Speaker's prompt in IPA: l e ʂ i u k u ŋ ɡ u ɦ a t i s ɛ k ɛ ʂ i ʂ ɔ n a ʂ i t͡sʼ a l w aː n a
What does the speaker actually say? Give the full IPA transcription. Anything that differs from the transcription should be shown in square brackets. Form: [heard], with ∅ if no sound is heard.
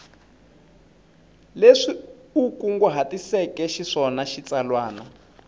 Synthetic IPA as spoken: l e ʂ i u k u ŋ ɡ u ɦ a t i s ɛ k ɛ [ʃ] i ʂ ɔ n a [ʃ] i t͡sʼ a l w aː n a